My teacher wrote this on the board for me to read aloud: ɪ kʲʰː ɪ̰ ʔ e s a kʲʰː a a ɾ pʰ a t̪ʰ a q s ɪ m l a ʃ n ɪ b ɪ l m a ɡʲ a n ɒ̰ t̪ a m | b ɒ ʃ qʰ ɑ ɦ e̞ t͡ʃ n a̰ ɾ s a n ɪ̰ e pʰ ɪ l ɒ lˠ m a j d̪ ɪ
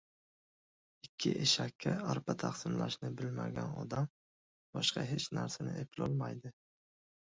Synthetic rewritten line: ɪ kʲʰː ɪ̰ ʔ e ʃ a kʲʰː a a ɾ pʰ a t̪ʰ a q s ɪ m l a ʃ n ɪ b ɪ l m a ɡʲ a n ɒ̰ d̪ a m | b ɒ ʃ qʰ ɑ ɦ e̞ t͡ʃ n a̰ ɾ s a n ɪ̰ e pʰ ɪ l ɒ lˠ m a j d̪ ɪ